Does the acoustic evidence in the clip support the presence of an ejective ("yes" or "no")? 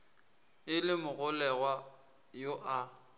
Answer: no